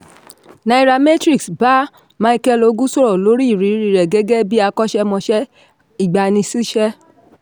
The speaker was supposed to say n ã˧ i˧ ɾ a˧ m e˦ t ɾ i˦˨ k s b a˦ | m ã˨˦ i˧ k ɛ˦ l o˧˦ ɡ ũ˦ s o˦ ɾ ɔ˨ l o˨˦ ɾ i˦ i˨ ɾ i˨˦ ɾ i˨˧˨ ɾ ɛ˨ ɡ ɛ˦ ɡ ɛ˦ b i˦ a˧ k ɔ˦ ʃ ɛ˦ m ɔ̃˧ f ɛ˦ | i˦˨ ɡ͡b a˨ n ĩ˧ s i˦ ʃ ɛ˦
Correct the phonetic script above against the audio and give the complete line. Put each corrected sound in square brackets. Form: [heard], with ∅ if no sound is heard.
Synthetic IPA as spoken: n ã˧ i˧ ɾ a˧ m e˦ t ɾ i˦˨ k s b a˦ | m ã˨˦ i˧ k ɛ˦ l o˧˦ ɡ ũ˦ s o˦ ɾ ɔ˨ l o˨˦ ɾ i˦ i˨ ɾ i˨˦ ɾ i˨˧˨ ɾ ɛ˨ ɡ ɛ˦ ɡ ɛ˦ b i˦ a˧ k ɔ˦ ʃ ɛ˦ m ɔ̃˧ [ʃ] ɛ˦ | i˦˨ ɡ͡b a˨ n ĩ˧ s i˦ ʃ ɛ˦